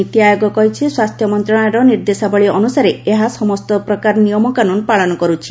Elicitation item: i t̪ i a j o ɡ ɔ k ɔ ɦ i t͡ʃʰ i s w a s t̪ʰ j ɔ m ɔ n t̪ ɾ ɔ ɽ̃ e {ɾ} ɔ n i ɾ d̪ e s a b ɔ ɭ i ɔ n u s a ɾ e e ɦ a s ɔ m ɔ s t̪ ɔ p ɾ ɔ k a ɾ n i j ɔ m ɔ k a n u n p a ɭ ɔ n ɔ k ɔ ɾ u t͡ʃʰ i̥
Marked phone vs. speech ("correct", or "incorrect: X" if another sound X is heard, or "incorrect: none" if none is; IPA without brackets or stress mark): correct